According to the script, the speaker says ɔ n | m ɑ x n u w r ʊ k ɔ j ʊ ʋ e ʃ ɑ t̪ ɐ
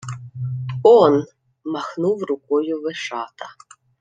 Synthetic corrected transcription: ɔ n | m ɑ x n u w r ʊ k ɔ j ʊ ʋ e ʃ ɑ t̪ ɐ